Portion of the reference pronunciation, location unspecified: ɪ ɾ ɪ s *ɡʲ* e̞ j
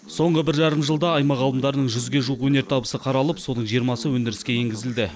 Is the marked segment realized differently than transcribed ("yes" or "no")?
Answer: yes